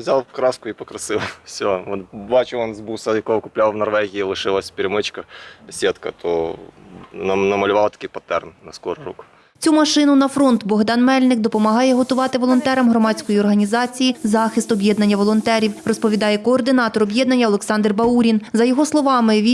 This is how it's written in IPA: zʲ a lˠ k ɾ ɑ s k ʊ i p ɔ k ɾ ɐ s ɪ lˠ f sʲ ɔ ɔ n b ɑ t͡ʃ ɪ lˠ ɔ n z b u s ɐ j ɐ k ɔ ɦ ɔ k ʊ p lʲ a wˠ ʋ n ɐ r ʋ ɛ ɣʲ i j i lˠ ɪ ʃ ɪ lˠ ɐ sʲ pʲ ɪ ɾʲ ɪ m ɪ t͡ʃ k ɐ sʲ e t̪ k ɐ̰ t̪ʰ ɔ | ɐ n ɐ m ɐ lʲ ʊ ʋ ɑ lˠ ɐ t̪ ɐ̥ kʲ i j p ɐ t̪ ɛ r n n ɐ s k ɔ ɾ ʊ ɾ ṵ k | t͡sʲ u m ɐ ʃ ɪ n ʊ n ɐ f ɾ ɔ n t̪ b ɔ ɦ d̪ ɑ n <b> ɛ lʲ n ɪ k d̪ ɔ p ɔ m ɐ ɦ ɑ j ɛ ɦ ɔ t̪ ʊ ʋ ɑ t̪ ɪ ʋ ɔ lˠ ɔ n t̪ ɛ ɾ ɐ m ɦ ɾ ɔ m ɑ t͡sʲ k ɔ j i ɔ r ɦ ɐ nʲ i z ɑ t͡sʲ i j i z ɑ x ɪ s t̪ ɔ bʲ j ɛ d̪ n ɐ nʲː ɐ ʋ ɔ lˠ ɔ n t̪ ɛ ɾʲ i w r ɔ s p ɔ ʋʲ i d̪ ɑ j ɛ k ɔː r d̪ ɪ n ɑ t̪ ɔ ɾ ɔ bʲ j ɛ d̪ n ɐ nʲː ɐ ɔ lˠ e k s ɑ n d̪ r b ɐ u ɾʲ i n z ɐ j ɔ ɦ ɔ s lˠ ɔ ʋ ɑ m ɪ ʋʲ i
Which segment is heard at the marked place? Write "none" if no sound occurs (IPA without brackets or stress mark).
m